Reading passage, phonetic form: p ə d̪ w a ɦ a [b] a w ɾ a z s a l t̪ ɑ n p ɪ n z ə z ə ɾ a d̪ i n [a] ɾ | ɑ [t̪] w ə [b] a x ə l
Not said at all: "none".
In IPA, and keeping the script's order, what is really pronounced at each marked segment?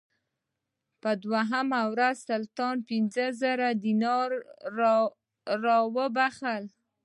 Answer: m, ɑ, none, b

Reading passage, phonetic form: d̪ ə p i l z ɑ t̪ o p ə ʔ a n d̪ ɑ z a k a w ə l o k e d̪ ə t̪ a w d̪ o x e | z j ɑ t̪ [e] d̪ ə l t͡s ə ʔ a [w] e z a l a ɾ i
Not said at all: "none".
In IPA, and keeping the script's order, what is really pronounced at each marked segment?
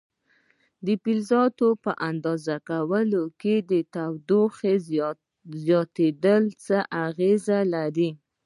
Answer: e, ɣ

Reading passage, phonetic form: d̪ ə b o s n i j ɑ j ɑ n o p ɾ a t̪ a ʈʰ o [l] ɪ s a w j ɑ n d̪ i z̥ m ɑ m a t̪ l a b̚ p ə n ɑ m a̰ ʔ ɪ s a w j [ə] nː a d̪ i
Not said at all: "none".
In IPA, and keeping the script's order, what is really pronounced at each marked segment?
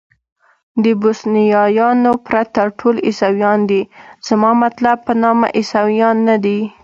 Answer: l, ɑ

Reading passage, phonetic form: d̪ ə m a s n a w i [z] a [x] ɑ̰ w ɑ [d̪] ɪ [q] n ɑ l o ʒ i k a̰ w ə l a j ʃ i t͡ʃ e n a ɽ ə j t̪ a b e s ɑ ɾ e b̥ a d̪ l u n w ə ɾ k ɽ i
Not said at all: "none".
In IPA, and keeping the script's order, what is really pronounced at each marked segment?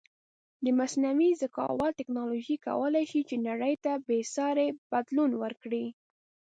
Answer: z, k, t̪, k

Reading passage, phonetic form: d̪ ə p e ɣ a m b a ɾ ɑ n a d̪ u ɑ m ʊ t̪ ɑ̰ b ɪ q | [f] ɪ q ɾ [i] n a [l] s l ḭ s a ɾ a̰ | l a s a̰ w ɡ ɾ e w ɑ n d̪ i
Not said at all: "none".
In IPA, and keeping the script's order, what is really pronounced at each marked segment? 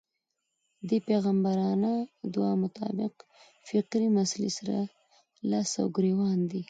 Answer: f, i, none

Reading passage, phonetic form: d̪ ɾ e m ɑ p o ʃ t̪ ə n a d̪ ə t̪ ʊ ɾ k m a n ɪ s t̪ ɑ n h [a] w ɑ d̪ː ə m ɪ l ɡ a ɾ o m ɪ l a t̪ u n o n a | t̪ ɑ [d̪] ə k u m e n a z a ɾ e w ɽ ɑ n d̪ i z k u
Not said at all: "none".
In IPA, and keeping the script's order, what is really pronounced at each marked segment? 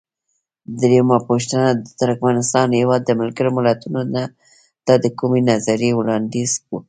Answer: e, d̪

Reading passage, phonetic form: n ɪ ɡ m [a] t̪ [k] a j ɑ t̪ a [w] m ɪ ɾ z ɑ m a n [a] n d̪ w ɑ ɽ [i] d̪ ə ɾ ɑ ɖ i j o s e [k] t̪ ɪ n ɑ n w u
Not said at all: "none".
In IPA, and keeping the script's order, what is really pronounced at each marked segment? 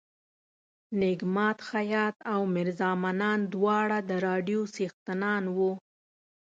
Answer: ɑ, x, w, ɑ, a, x

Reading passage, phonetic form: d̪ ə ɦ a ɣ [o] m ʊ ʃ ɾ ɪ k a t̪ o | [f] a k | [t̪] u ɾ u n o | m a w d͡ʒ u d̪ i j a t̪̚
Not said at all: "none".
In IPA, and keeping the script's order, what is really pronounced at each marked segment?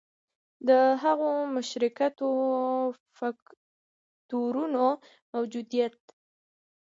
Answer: o, f, t̪

